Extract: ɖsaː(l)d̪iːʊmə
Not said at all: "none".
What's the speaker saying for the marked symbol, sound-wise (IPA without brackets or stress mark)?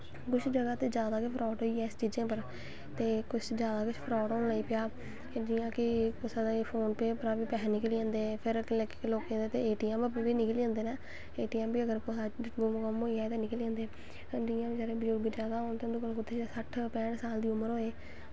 l